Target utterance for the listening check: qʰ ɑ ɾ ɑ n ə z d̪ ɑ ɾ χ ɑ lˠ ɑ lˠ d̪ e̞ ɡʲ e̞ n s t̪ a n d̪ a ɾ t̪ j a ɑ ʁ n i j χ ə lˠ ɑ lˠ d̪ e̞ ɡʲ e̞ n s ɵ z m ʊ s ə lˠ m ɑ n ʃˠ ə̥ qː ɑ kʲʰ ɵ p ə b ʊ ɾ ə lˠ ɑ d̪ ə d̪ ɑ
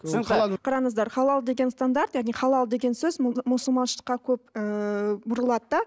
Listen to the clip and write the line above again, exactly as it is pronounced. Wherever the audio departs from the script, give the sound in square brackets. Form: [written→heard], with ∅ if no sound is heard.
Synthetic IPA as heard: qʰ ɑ ɾ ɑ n ə z d̪ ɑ ɾ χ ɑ lˠ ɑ lˠ d̪ e̞ ɡʲ e̞ n s t̪ a n d̪ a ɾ t̪ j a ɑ ʁ n i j χ [ə→ɑ] lˠ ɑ lˠ d̪ e̞ ɡʲ e̞ n s ɵ z m ʊ s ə lˠ m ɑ n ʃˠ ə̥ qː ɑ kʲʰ ɵ p ə b ʊ ɾ ə lˠ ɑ d̪ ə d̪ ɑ